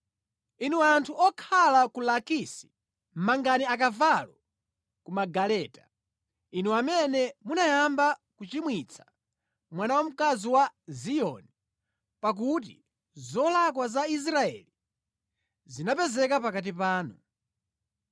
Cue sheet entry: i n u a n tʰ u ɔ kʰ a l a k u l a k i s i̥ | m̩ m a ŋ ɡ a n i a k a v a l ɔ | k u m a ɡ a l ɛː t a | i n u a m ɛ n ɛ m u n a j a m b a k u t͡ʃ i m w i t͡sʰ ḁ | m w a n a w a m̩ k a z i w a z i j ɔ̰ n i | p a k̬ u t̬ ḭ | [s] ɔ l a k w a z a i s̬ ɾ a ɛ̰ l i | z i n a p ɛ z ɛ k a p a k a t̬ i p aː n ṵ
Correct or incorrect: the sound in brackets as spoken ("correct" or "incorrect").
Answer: incorrect